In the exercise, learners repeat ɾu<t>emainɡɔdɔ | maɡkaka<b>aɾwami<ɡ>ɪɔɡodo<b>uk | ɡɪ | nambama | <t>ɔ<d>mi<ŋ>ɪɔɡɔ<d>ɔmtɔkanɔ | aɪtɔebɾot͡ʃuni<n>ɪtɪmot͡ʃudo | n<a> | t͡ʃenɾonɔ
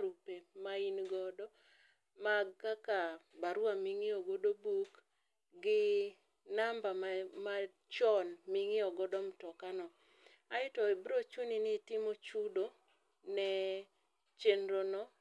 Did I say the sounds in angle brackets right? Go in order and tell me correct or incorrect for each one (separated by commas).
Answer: incorrect, correct, incorrect, correct, incorrect, incorrect, correct, correct, correct, incorrect